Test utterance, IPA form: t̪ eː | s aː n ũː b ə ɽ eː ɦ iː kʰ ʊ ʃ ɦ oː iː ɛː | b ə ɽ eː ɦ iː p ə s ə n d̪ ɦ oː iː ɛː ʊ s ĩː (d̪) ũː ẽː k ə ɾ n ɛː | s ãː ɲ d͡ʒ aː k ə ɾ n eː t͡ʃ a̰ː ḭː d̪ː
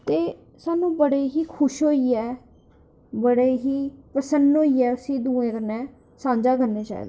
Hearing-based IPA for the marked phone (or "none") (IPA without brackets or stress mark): d̪